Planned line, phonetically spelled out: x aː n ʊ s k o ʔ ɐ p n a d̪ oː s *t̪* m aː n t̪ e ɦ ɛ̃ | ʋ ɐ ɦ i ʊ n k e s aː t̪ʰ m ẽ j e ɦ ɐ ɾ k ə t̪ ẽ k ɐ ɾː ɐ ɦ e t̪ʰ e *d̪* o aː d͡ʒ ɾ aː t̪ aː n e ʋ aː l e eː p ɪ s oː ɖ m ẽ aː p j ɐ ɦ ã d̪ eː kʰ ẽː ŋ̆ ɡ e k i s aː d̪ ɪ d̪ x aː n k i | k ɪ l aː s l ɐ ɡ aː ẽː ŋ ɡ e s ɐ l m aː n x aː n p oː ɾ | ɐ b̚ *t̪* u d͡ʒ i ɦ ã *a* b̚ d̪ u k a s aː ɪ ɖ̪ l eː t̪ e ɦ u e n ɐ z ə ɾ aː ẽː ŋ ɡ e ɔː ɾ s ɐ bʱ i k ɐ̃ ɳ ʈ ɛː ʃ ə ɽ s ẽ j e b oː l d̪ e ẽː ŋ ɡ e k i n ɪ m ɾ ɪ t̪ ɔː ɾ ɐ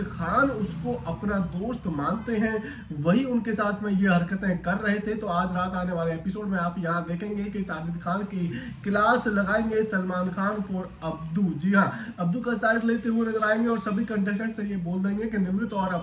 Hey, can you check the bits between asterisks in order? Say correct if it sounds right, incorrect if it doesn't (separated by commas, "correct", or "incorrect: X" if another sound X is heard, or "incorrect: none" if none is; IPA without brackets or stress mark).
correct, incorrect: t̪, incorrect: d̪, incorrect: ɐ